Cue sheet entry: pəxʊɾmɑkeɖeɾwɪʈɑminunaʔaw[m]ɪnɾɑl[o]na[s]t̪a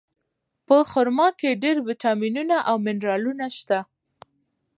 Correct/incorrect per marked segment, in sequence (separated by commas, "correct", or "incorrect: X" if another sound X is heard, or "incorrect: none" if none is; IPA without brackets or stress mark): correct, incorrect: u, incorrect: ʃ